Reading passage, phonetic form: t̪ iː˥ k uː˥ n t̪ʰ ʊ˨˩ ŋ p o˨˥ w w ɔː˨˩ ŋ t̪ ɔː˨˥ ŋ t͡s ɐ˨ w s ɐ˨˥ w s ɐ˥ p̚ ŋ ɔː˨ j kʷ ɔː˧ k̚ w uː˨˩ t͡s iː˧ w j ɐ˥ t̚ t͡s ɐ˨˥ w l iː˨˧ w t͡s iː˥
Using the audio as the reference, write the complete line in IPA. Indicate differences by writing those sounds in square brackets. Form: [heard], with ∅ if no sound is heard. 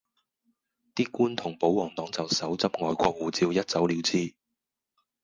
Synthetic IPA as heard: t̪ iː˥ k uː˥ n t̪ʰ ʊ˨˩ ŋ p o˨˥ w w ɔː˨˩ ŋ t̪ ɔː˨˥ ŋ t͡s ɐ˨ w s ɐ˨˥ w [t͡s] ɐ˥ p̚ ŋ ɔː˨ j kʷ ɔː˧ k̚ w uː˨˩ t͡s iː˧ w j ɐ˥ t̚ t͡s ɐ˨˥ w l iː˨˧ w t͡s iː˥